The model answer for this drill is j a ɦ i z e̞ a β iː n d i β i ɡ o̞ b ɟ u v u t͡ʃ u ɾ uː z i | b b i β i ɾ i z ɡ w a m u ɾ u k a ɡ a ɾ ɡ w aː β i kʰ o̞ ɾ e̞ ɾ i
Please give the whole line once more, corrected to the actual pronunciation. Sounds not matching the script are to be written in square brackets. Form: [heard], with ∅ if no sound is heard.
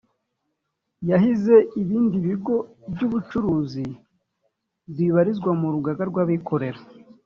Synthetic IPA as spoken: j a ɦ i z e̞ [i] β iː n d i β i ɡ o̞ b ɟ u [β] u t͡ʃ u ɾ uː z i | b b i β [a] ɾ i z ɡ w a m u ɾ u [ɡ] a ɡ a ɾ ɡ w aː β i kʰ o̞ ɾ e̞ ɾ [a]